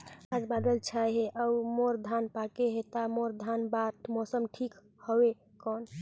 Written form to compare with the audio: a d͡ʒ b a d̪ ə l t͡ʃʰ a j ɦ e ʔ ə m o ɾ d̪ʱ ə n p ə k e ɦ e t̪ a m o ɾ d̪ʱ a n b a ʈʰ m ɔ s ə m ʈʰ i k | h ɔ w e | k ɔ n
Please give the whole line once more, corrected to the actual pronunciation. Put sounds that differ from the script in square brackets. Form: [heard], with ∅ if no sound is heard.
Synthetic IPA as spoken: a d͡ʒ b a d̪ ə l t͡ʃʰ a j ɦ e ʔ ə m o ɾ d̪ʱ [a] n p [a] k e ɦ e t̪ a m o ɾ d̪ʱ a n b a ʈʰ m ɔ s ə m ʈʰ i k | h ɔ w e | k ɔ n